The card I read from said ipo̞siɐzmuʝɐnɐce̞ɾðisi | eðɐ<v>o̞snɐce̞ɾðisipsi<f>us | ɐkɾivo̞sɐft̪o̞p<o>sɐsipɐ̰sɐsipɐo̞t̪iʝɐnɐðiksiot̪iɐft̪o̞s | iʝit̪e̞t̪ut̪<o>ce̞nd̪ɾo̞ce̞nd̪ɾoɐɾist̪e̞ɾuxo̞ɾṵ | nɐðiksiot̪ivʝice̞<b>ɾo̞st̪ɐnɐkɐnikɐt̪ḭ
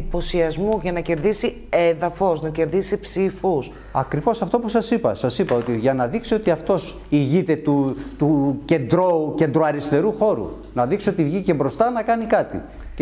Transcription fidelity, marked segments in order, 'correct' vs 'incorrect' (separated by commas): incorrect, correct, incorrect, incorrect, correct